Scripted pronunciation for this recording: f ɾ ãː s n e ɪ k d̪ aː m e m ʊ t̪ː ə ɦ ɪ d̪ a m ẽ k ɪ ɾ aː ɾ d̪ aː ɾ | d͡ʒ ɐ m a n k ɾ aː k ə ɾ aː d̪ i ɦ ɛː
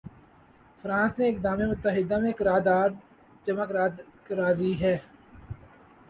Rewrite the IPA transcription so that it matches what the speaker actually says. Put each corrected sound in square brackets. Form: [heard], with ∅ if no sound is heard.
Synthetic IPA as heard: f ɾ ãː s n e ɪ k d̪ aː m e m ʊ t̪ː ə ɦ ɪ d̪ a m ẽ k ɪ ɾ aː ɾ d̪ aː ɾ | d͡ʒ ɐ m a [∅] k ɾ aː k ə ɾ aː d̪ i ɦ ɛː